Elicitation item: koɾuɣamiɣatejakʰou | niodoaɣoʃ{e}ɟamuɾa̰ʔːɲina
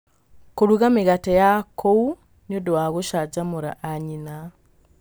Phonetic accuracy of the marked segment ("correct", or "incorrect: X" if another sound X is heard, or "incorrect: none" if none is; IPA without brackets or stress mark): incorrect: a